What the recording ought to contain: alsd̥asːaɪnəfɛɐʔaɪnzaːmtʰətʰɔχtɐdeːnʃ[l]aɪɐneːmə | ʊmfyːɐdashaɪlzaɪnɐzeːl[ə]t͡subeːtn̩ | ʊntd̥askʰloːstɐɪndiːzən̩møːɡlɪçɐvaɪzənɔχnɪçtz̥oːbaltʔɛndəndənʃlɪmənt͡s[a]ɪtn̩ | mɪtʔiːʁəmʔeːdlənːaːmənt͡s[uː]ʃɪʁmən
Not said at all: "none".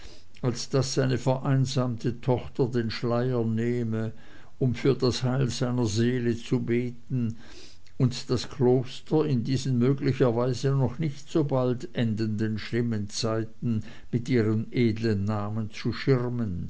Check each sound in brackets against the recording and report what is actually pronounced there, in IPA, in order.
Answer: l, ə, a, u

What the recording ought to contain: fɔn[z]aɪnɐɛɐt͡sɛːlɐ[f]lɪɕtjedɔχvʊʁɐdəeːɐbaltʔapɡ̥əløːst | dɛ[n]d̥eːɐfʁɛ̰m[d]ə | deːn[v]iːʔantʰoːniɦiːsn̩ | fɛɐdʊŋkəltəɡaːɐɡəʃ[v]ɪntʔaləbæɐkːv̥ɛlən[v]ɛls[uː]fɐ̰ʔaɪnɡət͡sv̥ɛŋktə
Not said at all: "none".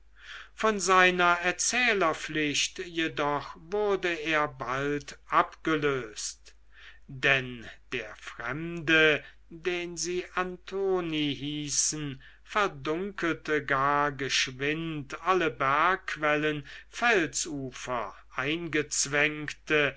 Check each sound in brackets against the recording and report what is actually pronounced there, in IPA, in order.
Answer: z, f, n, d, z, v, f, uː

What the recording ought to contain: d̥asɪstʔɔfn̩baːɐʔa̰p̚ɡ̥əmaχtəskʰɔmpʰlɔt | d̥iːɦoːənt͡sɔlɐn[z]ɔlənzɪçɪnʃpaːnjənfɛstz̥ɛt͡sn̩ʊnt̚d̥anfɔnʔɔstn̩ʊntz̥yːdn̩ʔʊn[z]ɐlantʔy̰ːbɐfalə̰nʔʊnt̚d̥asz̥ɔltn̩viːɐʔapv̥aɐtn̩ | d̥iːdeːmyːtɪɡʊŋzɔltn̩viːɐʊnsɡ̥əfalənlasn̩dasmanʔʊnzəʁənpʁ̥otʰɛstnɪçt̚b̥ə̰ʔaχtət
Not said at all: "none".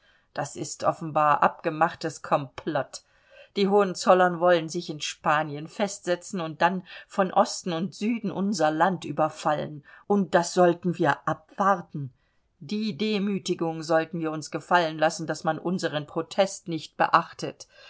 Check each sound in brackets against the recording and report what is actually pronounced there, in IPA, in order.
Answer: v, z

